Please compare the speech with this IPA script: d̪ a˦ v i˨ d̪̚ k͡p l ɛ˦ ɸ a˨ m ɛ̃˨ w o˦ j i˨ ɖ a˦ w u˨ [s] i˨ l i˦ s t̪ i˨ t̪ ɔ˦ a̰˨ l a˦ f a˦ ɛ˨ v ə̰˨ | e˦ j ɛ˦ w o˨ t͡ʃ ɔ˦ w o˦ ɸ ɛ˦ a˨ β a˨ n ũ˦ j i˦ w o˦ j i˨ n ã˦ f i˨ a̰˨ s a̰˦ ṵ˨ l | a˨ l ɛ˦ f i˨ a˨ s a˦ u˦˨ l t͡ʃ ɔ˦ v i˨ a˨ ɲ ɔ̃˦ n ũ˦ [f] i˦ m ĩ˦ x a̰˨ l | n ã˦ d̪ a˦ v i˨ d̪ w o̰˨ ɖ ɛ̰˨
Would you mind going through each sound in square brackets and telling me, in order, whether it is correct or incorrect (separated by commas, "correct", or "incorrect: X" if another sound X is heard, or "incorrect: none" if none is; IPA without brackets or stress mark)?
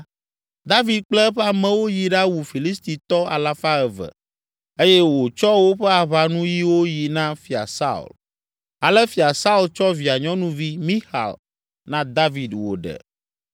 incorrect: f, incorrect: v